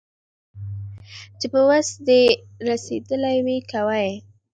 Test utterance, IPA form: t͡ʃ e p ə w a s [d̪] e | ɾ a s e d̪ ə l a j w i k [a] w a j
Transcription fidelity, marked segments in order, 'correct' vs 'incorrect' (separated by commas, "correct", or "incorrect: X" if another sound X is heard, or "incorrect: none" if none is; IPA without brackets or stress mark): correct, correct